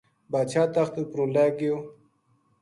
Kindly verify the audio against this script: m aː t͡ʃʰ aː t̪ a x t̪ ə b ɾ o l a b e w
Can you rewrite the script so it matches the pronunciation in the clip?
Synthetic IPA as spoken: b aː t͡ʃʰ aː t̪ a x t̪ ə p ɾ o l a ɡ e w